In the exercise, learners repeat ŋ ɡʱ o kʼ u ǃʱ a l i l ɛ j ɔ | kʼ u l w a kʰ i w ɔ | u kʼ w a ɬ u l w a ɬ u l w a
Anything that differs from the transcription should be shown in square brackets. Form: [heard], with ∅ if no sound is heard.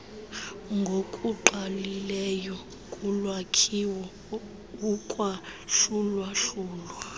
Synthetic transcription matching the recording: ŋ ɡʱ o kʼ u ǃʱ a l i l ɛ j ɔ | kʼ u l w a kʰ i w ɔ | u kʼ w a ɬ u l w a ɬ [uː] l w a